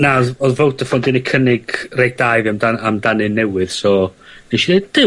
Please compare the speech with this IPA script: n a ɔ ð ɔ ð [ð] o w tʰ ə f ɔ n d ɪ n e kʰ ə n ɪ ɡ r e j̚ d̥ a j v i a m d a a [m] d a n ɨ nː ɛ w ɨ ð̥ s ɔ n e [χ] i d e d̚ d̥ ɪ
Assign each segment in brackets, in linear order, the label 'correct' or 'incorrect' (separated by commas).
incorrect, correct, incorrect